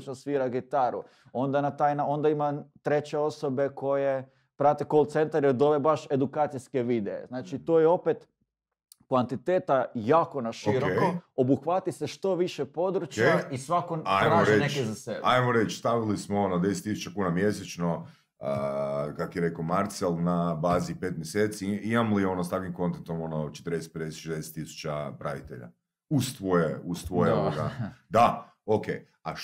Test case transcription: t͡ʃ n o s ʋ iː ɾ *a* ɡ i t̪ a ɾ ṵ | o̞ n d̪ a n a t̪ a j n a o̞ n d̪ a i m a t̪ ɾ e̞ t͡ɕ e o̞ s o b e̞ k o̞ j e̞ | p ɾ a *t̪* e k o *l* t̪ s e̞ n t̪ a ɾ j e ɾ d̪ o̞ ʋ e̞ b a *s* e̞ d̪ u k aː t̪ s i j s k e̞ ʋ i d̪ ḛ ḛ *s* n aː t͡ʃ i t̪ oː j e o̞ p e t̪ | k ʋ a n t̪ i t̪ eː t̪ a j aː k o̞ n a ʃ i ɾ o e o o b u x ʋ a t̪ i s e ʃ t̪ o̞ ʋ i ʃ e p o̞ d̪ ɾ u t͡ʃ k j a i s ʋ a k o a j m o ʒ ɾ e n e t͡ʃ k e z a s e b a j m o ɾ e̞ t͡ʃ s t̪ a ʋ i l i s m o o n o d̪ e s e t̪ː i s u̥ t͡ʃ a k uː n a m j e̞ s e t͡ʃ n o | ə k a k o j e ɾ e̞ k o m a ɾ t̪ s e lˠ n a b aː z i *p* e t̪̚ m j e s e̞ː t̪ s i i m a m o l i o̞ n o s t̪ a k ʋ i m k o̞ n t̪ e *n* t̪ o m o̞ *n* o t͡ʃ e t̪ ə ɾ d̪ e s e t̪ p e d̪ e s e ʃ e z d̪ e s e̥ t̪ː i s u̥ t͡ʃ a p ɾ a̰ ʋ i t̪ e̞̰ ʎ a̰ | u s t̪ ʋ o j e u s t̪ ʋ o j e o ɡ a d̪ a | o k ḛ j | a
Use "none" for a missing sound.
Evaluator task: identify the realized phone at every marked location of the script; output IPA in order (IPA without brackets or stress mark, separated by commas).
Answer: a, t̪, l, ʃ, z, p, n, n